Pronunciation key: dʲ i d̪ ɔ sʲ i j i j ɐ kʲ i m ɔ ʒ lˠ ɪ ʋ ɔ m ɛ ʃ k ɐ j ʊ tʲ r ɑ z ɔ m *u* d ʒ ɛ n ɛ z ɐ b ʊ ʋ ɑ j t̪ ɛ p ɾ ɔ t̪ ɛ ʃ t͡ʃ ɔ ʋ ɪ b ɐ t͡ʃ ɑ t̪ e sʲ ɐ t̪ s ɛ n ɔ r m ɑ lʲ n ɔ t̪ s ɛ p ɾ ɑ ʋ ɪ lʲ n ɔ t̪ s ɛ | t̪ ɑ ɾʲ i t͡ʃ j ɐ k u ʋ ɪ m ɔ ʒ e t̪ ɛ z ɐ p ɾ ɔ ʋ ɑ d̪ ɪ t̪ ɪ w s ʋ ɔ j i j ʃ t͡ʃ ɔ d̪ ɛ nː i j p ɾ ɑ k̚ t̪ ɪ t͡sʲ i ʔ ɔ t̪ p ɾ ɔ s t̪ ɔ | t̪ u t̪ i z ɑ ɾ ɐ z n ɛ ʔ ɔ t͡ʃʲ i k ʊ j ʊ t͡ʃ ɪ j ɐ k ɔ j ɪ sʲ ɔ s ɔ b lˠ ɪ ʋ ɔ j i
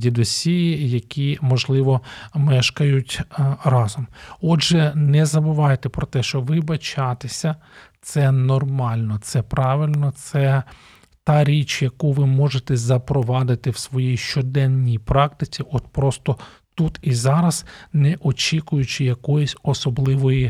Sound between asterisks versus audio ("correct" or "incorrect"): incorrect